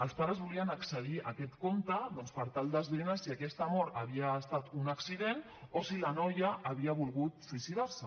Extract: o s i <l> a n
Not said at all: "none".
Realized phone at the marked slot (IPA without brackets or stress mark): l